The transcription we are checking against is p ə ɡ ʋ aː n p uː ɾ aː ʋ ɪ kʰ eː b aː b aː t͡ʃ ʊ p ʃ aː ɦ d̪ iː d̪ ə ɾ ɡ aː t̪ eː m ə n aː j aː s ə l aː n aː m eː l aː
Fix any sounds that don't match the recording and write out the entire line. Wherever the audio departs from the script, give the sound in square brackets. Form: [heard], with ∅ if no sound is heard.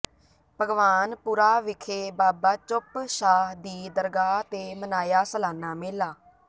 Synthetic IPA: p ə ɡ ʋ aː n p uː ɾ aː ʋ ɪ kʰ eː b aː b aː t͡ʃ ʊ p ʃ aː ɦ d̪ iː d̪ ə ɾ ɡ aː t̪ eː m ə n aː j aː s ə l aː n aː m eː l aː